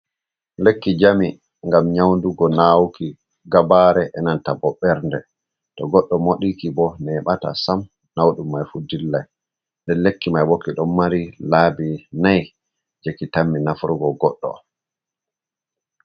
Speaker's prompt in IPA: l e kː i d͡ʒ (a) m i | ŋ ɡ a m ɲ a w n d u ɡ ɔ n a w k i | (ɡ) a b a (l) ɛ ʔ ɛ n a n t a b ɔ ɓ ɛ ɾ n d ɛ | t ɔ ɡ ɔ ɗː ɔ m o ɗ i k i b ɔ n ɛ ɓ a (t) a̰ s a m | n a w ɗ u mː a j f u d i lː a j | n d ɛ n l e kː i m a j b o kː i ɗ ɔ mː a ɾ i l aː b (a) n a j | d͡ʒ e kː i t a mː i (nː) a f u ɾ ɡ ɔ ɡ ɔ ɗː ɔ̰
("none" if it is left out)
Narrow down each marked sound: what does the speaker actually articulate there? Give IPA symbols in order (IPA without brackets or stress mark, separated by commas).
a, ɡ, ɾ, t, i, n